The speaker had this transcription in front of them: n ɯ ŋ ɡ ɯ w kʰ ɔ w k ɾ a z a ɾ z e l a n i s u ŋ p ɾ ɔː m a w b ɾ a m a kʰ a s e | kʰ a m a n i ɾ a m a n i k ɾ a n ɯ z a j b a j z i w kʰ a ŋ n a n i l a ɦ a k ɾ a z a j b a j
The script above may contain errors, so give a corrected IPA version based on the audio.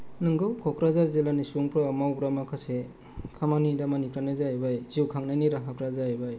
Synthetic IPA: n ɯ ŋ ɡ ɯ w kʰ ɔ k ɾ a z a ɾ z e l a n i s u ŋ p ɾ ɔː m a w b ɾ a m a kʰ a s e | kʰ a m a n i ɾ a m a n i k ɾ a n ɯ z a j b a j z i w kʰ a ŋ n a n i ɾ a ɦ a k ɾ a z a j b a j